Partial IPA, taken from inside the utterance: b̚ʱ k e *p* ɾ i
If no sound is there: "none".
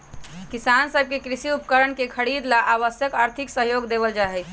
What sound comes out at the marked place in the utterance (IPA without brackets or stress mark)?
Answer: k